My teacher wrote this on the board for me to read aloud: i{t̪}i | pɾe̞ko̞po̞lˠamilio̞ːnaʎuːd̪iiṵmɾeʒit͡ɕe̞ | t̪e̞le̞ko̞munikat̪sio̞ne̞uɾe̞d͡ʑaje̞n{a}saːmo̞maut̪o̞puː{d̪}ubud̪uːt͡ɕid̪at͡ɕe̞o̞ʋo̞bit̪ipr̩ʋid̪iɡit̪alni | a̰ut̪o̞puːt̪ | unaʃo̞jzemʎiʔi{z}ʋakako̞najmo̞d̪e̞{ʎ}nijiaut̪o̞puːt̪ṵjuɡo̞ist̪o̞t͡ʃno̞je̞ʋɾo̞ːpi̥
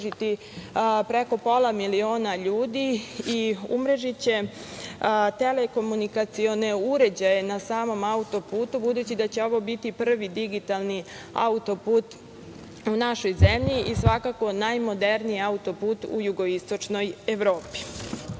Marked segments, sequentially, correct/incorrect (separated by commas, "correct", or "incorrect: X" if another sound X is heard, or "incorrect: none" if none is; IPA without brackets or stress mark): correct, correct, incorrect: t̪, incorrect: s, incorrect: ɾ